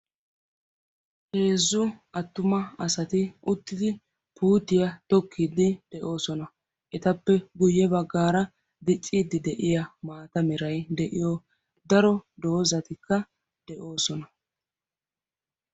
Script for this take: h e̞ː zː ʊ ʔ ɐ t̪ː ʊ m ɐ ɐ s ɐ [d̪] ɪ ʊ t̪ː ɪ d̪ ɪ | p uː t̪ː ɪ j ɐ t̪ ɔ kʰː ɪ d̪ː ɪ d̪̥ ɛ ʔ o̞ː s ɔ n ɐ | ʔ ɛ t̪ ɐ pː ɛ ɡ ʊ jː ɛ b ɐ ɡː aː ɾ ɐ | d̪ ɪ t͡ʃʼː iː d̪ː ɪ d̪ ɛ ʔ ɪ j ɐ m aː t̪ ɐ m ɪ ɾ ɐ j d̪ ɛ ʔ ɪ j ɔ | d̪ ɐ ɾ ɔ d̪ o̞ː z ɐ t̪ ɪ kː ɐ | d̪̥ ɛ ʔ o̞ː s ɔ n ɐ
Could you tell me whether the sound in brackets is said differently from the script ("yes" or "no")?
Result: yes